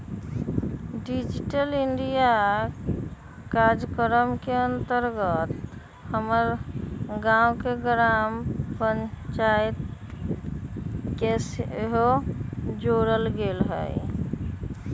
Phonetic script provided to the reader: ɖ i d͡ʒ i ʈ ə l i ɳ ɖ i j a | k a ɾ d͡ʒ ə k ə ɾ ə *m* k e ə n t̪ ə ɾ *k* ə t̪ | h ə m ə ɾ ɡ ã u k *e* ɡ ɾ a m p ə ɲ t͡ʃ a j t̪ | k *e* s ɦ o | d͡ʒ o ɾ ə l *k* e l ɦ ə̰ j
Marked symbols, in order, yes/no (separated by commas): yes, no, yes, yes, no